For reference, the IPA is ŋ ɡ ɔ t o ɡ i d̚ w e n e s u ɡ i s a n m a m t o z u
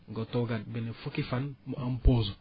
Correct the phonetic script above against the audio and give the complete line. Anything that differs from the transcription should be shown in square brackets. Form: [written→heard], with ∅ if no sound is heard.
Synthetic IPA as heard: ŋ ɡ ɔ t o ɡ [i→a] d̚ [w→b] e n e [s→f] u [ɡ→k] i [s→f] a n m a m [t→p] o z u